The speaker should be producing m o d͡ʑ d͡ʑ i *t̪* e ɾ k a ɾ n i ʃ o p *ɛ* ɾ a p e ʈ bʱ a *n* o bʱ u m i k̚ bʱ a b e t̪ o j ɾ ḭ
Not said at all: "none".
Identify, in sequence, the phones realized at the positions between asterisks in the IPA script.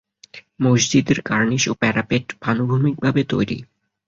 d̪, ɛ, n

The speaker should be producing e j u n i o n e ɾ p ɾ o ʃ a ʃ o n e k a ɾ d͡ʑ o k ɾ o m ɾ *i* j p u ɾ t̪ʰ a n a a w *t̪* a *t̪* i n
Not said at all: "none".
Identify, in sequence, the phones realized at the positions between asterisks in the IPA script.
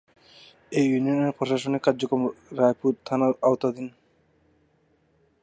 a, t̪, d̪

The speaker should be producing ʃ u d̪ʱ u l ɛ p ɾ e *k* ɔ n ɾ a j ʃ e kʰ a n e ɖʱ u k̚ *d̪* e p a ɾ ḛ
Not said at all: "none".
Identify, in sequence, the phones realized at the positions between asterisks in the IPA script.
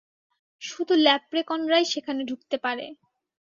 k, t̪

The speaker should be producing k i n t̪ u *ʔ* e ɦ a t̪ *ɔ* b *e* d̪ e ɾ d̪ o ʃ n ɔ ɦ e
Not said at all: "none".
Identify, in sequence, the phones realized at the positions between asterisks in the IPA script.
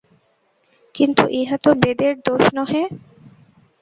ʔ, o, e

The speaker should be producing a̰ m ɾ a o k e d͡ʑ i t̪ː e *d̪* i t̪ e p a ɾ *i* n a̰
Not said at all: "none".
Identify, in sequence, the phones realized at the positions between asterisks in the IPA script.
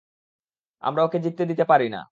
d̪, i

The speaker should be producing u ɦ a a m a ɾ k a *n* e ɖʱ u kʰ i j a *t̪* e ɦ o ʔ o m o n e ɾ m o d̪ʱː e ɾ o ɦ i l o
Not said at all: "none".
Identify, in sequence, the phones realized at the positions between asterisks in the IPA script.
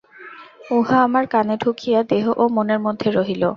n, d̪

